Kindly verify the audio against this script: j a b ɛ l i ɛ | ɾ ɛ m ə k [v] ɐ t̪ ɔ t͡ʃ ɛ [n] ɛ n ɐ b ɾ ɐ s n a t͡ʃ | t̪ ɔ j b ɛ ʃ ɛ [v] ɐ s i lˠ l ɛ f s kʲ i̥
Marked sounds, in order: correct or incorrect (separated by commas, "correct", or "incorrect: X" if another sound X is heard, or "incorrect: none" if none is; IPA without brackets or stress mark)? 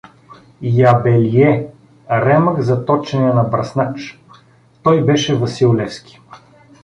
incorrect: z, correct, correct